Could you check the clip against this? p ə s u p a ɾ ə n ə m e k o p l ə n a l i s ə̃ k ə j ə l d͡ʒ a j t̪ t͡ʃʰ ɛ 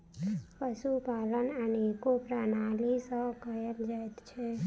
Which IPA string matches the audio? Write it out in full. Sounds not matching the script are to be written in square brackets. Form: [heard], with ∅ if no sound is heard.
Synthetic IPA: p ə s u p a [l] ə n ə [n] e k o p [ɾ] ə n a l i s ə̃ k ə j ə l d͡ʒ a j t̪ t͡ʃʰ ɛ